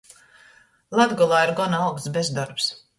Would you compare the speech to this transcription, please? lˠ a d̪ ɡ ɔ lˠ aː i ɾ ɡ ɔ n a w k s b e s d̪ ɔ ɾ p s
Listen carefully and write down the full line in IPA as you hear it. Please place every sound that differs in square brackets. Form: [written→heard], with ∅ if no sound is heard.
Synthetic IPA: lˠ a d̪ ɡ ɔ lˠ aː i ɾ ɡ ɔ n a w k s b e [s→z] d̪ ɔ ɾ p s